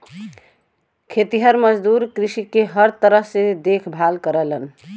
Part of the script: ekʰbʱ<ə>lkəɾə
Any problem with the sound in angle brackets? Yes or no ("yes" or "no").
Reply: yes